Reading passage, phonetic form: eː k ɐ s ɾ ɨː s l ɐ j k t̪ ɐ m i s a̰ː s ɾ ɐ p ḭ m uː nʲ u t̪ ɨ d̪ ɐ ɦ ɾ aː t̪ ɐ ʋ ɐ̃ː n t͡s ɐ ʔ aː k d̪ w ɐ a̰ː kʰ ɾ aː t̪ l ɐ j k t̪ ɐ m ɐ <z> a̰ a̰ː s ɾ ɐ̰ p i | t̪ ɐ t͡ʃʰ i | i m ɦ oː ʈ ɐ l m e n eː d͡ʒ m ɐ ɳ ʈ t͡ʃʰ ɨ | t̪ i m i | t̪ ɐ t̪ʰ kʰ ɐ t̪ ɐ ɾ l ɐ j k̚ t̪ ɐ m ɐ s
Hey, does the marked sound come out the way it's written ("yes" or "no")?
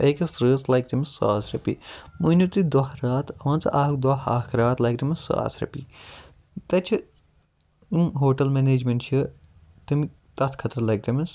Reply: no